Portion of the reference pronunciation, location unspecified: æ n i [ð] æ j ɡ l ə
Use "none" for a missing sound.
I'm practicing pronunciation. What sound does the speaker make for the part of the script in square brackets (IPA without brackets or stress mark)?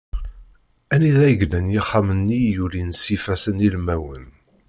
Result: ð